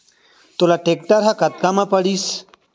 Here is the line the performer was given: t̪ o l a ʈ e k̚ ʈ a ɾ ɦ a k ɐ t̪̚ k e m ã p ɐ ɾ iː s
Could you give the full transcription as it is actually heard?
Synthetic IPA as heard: t̪ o l a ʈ e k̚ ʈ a ɾ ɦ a k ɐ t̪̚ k a m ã p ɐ ɽ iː s

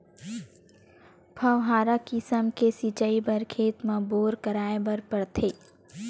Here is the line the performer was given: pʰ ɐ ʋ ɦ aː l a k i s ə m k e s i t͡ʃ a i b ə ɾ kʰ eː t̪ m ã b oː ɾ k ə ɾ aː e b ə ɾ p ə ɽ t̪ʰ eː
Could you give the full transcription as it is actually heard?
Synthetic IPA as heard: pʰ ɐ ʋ ɦ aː ɾ a k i s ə m k e s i t͡ʃ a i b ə ɾ kʰ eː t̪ m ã b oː ɾ k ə ɾ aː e b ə ɾ p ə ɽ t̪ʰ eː

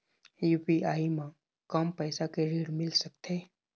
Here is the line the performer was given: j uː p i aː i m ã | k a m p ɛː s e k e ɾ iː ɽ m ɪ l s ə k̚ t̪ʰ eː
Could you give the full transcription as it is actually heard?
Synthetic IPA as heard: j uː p i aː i m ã | k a m p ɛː s a k e ɾ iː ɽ m ɪ l s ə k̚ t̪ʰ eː

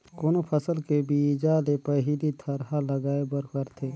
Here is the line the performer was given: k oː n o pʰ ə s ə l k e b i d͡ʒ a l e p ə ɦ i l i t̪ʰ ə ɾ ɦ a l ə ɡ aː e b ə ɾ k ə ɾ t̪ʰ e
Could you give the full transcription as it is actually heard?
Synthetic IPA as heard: k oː n o pʰ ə s ə l k e b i d͡ʒ a l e p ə ɦ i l i t̪ʰ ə ɾ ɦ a l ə ɡ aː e b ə ɾ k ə ɾ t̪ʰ e

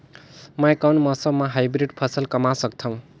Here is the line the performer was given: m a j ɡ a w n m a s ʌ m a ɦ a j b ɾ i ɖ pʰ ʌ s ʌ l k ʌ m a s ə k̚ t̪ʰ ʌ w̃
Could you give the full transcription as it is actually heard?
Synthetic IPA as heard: m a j k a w n m ʌ s ʌ m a ɦ a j b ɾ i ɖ pʰ ʌ s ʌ l k ʌ m a s ʌ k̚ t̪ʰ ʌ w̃

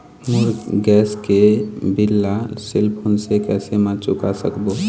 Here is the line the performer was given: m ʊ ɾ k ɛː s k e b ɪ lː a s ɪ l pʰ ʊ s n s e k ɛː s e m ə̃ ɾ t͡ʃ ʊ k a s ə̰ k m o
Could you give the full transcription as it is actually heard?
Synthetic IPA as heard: m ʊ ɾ ɡ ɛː s k e b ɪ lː a s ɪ l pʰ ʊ n s e k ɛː s e m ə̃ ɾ t͡ʃ ʊ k a s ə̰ k b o

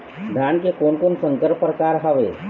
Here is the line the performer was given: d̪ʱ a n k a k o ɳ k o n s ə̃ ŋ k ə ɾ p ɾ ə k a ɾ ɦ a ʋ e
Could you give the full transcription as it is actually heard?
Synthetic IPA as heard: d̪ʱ a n k e k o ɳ k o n s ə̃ ŋ k ə ɾ p ɾ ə k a ɾ ɦ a ʋ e

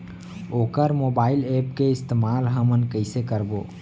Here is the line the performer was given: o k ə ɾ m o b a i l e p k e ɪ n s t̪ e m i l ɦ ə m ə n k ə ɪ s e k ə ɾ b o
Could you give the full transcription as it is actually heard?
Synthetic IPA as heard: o k ə ɾ m o b a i l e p k e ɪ s t̪ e m a l ɦ ə m ə n k ə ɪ s e k ə ɾ b o

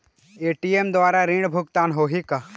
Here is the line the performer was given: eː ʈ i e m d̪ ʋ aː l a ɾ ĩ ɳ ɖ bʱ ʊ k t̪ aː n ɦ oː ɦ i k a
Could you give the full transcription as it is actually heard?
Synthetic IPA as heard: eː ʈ i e m d̪ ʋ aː ɾ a ɾ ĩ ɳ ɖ bʱ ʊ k t̪ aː n ɦ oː ɦ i k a

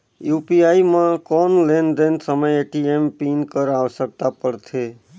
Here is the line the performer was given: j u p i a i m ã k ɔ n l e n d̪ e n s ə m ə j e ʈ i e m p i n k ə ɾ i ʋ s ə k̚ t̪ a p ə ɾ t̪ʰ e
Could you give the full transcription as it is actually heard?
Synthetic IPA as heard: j u p i a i m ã k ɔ n l e n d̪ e n s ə m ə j e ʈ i e m p i n k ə ɾ a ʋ s ə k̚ t̪ a p ə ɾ t̪ʰ e

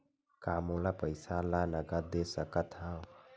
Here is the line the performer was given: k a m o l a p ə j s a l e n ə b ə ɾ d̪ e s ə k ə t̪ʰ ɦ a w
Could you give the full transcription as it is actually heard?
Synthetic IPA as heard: k a m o l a p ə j s a l a n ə ɡ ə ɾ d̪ e s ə k ə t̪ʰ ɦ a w

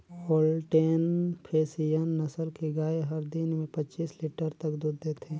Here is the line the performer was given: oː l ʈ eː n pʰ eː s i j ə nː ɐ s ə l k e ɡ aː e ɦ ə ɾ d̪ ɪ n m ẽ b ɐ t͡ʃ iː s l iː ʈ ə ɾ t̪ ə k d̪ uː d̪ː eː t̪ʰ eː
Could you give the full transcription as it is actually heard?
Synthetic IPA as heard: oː l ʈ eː n pʰ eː s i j ə nː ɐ s ə l k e ɡ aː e ɦ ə ɾ d̪ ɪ n m ẽ p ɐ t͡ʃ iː s l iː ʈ ə ɾ t̪ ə k d̪ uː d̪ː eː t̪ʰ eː

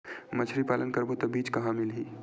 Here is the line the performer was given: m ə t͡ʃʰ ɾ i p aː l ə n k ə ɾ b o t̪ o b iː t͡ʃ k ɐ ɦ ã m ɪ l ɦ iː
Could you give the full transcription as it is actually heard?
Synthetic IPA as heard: m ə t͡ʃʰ ɾ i p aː l ə n k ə ɾ b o t̪ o b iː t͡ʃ k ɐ ɦ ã m ɪ l ɦ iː

